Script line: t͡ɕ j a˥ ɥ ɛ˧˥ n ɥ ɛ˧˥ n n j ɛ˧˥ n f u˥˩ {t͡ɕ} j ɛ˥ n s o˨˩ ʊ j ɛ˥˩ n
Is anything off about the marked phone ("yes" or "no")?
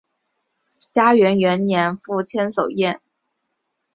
yes